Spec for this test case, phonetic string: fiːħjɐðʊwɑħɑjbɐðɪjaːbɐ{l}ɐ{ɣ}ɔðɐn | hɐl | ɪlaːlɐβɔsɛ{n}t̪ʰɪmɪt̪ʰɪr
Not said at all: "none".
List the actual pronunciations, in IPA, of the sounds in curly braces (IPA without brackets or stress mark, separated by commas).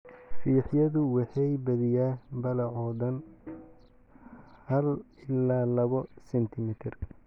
l, ʕ, n